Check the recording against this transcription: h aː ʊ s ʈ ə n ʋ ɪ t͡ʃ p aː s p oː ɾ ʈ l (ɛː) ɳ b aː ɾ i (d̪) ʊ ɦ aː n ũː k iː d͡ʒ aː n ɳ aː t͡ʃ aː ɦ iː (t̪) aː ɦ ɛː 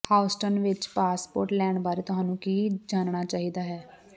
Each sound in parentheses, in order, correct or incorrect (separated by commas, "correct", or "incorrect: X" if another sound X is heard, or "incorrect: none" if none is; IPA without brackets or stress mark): correct, incorrect: t̪, incorrect: d̪